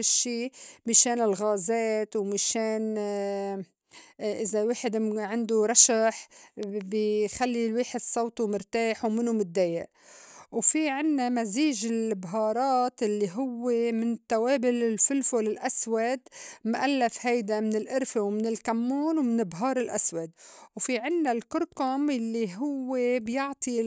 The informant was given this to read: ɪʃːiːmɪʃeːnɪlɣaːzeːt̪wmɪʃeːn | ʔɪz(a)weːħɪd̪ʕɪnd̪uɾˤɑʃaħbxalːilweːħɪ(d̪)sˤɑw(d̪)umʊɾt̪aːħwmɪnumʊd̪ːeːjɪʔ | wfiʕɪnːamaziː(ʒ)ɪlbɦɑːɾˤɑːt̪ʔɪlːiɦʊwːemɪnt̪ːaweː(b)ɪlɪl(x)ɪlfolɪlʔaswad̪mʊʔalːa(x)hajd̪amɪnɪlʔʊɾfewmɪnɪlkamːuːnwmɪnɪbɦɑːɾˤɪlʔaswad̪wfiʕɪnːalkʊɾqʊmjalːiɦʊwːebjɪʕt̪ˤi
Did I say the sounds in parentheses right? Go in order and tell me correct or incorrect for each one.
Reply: correct, correct, incorrect, correct, correct, incorrect, incorrect

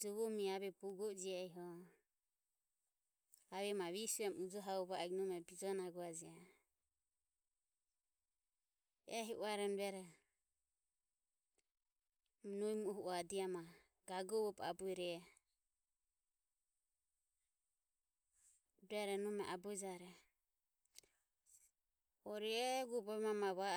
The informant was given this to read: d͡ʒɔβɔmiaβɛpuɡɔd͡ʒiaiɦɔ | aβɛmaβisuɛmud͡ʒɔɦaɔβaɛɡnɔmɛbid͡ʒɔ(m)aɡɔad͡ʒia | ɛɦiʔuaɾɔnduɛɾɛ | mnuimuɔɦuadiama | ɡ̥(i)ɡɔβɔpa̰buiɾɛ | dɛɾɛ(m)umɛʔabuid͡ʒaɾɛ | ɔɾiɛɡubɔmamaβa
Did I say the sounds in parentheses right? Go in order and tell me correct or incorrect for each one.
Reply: incorrect, incorrect, incorrect

